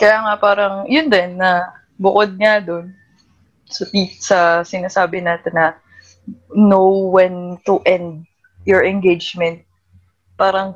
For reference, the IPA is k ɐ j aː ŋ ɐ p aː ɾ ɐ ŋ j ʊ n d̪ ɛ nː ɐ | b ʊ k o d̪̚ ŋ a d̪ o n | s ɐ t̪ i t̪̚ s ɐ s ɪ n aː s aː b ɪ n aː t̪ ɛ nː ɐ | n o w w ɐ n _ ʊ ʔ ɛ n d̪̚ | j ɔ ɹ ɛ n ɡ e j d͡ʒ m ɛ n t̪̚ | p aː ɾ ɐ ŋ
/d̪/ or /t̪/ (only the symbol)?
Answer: t̪